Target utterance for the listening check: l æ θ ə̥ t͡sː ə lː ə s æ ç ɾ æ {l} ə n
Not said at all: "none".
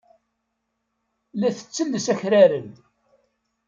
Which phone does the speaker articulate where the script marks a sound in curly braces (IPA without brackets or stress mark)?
ɾ